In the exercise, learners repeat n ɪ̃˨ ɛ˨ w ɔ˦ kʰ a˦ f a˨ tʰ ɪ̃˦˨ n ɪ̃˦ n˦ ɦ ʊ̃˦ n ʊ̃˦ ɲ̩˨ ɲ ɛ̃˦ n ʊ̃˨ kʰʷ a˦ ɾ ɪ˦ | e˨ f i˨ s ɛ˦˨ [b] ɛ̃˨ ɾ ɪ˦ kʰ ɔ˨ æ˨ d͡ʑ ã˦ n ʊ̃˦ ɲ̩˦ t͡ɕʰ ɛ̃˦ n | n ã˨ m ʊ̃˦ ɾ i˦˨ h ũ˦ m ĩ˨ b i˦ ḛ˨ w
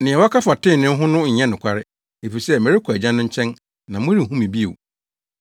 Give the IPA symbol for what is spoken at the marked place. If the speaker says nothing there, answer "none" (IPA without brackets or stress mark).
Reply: m